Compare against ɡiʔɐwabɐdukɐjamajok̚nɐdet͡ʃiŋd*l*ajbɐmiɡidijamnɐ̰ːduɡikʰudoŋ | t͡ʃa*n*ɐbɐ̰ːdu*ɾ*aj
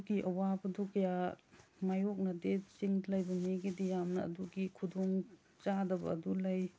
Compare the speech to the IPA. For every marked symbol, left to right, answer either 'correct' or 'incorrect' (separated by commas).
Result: correct, incorrect, incorrect